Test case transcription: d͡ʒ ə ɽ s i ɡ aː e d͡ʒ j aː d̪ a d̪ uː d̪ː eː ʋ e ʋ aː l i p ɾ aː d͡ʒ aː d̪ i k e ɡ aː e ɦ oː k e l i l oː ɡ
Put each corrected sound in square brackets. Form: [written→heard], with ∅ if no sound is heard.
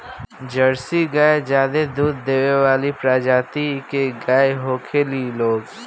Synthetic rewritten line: d͡ʒ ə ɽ s i ɡ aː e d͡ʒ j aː d̪ [a→e] d̪ uː d̪ː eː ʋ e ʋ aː l i p ɾ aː d͡ʒ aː [d̪→t̪] i k e ɡ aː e ɦ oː [k→kʰ] e l i l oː ɡ

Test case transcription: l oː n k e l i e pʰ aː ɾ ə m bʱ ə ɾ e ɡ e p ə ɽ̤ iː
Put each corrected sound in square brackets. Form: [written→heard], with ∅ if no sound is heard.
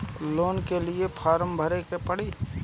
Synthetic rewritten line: l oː n k e l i e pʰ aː ɾ ə m bʱ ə ɾ e [ɡ→k] e p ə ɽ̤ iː

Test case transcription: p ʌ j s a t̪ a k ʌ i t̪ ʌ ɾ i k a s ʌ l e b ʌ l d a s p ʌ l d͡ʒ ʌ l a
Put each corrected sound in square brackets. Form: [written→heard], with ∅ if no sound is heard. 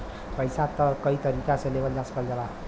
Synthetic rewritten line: p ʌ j s a t̪ [a→ʌ] k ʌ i t̪ ʌ ɾ i k a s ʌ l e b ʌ l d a s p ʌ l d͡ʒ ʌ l a

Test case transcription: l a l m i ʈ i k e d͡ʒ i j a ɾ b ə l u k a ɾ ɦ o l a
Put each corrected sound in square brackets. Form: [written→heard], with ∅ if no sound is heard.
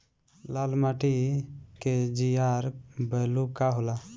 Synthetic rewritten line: l a l m [i→a] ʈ i k e d͡ʒ i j a ɾ b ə l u k a [ɾ→∅] ɦ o l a

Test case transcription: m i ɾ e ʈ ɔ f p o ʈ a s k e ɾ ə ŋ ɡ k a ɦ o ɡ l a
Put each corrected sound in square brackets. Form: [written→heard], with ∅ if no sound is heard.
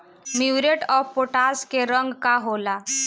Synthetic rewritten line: m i ɾ e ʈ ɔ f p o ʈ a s k e ɾ ə ŋ ɡ k a ɦ o [ɡ→∅] l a

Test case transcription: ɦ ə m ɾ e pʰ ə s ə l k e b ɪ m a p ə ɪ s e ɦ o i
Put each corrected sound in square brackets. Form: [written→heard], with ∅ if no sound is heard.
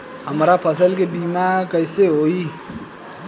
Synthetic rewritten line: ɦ ə m ɾ [e→a] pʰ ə s ə l k e b [ɪ→i] m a [p→k] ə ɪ s e ɦ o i

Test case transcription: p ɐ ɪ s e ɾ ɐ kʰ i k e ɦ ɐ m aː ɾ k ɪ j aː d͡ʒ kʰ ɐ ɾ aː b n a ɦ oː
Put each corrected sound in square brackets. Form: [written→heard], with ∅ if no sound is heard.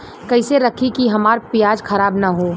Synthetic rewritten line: [p→k] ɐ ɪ s e ɾ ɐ kʰ i k [e→i] ɦ ɐ m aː ɾ [k→p] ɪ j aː d͡ʒ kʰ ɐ ɾ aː b n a ɦ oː

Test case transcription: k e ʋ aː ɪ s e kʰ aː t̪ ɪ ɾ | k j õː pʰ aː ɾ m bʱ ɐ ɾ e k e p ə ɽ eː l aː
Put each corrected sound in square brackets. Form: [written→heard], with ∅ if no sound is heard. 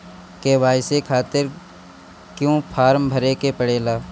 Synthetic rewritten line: k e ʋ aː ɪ s e kʰ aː t̪ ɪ ɾ | k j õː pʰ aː ɾ m bʱ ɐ ɾ e k e p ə ɽ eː l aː

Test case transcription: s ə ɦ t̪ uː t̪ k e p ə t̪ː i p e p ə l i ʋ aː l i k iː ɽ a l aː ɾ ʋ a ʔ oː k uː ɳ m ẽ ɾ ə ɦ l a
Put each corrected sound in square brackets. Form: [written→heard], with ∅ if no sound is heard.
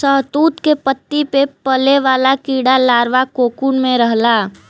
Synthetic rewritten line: s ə ɦ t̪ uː t̪ k e p ə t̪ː i p e p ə l [i→e] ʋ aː l [i→a] k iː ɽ a l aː ɾ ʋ a [ʔ→k] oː k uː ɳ m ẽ ɾ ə ɦ l a

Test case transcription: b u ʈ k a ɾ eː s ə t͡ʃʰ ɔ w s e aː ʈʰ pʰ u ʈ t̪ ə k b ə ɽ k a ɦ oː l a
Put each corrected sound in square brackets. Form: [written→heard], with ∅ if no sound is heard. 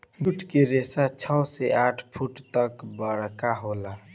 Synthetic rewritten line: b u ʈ k [a→e] ɾ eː s [ə→a] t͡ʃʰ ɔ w s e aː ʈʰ pʰ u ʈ t̪ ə k b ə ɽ k a ɦ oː l a

